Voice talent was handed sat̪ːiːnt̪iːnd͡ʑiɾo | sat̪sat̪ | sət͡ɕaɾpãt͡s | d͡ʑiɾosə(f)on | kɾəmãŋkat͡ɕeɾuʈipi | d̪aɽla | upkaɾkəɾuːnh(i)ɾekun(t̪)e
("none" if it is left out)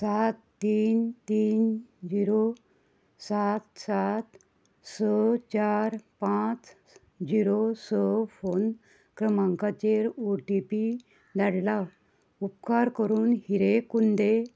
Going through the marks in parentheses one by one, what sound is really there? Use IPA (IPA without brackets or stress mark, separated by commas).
f, i, d̪